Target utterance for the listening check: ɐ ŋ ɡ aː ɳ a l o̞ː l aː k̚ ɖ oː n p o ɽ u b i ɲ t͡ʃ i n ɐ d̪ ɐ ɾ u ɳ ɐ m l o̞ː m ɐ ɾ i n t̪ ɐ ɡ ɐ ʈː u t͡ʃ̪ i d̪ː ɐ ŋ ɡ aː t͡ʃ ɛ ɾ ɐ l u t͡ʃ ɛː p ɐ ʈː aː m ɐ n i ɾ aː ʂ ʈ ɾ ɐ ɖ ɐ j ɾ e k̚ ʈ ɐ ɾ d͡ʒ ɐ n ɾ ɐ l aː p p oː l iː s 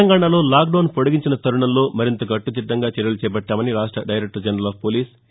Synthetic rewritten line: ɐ ŋ ɡ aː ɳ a l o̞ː l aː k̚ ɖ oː n p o ɽ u ɡ i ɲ t͡ʃ i n ɐ t̪ ɐ ɾ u ɳ ɐ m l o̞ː m ɐ ɾ i n t̪ ɐ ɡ ɐ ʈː u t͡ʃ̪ i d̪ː ɐ ŋ ɡ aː t͡ʃ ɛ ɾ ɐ l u t͡ʃ ɛː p ɐ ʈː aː m ɐ n i ɾ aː ʂ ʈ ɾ ɐ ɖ ɐ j ɾ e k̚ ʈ ɐ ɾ d͡ʒ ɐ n ɾ ɐ l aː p p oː l iː s